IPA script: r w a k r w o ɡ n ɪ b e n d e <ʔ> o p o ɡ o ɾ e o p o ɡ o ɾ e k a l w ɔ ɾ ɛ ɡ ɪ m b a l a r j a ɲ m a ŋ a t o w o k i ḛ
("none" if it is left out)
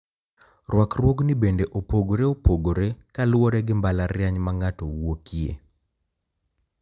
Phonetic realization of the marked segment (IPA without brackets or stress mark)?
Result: ʔ